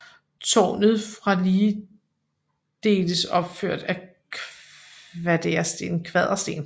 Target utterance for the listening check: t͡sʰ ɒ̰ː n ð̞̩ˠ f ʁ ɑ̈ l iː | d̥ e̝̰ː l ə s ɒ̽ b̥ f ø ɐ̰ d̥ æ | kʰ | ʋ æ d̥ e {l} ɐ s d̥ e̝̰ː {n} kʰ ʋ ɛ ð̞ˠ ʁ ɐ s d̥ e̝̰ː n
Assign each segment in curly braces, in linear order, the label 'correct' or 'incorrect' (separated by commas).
incorrect, correct